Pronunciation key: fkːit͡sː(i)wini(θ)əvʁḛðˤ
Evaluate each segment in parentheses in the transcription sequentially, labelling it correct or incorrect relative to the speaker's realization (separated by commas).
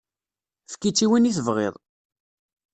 correct, correct